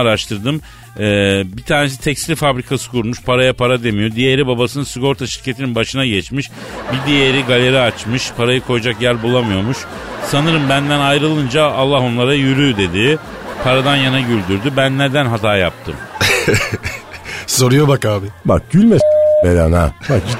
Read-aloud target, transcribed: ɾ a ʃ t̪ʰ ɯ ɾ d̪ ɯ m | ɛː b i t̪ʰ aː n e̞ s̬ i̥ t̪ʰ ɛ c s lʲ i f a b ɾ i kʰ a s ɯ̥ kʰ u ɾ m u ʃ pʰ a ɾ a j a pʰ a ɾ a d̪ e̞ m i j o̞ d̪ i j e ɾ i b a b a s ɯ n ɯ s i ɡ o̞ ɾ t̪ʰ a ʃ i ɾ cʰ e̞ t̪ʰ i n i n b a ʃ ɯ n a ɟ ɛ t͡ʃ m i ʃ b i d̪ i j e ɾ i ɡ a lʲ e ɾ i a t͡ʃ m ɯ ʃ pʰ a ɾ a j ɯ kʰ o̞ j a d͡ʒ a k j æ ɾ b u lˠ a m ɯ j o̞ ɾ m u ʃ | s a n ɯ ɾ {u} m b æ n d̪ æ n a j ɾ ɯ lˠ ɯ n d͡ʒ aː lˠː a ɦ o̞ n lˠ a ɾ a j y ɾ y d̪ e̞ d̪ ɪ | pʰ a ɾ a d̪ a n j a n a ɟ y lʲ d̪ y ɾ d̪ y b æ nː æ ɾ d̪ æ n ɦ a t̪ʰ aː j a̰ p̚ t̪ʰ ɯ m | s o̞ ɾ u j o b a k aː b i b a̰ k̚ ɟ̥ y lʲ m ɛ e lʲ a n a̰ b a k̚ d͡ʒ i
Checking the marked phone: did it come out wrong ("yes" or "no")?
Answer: yes